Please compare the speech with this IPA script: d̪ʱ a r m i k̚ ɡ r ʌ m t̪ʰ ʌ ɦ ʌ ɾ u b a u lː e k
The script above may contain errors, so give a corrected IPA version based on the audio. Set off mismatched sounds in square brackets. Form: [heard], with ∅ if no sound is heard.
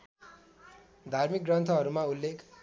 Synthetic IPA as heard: d̪ʱ a r m i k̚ ɡ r ʌ [n] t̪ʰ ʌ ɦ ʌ ɾ u [m] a u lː e k